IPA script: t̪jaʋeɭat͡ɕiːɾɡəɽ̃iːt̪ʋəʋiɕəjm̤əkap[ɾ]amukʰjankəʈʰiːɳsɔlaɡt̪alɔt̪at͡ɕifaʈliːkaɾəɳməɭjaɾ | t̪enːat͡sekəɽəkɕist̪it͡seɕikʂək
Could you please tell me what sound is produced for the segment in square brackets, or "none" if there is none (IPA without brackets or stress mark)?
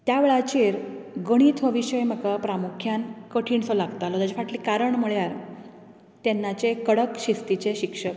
ɾ